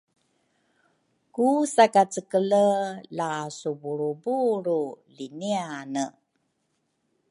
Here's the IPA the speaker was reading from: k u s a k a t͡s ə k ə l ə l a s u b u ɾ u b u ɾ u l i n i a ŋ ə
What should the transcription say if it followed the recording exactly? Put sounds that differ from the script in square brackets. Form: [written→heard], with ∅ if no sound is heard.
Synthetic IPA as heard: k u s a k a t͡s ə k ə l ə l a s u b u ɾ u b u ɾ u l i n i a [ŋ→n] ə

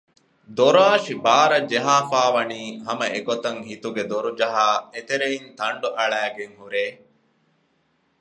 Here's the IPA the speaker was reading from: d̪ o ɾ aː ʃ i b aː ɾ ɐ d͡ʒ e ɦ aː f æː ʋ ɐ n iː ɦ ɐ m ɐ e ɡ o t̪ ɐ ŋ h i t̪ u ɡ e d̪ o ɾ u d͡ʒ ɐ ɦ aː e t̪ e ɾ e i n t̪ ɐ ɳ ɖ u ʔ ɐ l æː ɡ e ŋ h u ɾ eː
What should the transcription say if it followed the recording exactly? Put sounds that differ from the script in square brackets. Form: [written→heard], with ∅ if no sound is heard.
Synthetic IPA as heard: d̪ o ɾ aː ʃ i b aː ɾ ɐ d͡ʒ e ɦ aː f [æː→aː] ʋ ɐ n iː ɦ ɐ m ɐ e ɡ o t̪ ɐ ŋ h i t̪ u ɡ e d̪ o ɾ u d͡ʒ ɐ ɦ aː e t̪ e ɾ e i n t̪ ɐ ɳ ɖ u ʔ ɐ [l→ɭ] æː ɡ e ŋ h u ɾ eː

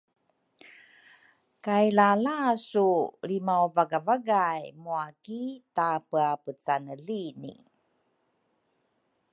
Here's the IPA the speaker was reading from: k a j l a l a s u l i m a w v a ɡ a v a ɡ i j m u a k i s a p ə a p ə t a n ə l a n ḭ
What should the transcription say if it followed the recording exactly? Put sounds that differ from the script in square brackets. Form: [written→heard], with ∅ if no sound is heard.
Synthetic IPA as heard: k a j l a l a s u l i m a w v a ɡ a v a ɡ [i→a] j m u a k i [s→t] a p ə a p ə [t→t͡s] a n ə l [a→i] n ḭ

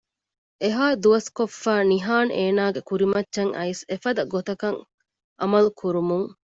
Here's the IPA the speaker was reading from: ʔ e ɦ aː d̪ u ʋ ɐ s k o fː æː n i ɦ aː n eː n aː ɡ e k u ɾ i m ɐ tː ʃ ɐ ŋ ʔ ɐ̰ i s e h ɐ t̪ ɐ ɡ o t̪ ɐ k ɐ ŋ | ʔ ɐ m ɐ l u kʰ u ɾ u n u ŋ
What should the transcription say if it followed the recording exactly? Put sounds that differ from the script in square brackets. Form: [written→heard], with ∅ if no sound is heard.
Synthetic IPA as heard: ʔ e ɦ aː d̪ u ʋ ɐ s k o fː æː n i ɦ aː n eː n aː ɡ e k u ɾ i m ɐ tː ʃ ɐ ŋ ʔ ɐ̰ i s e [h→f] ɐ [t̪→d̪] ɐ ɡ o t̪ ɐ k ɐ ŋ | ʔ ɐ m ɐ l u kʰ u ɾ u [n→m] u ŋ

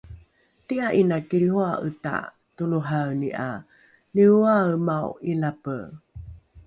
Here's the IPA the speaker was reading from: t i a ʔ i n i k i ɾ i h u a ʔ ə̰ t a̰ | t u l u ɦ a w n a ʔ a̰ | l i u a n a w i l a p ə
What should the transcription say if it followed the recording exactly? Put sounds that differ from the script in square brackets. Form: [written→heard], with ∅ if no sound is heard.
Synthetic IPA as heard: t i a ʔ i n [i→a] k i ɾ i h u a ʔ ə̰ t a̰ | t u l u ɦ a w n [a→i] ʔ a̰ | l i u a [n→m] a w i l a p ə

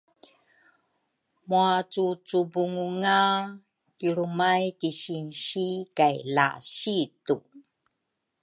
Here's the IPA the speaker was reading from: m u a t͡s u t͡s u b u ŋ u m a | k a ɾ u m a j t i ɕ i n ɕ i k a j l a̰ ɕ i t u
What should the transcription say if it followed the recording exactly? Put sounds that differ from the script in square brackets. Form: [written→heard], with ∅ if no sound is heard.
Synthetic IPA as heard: m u a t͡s u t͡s u b u ŋ u [m→ŋ] a | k [a→i] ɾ u m a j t i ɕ i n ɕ i k a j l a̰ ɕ i t u

